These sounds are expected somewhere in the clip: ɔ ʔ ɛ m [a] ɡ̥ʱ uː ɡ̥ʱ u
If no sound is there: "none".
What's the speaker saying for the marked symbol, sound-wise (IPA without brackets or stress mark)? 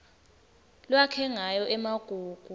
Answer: a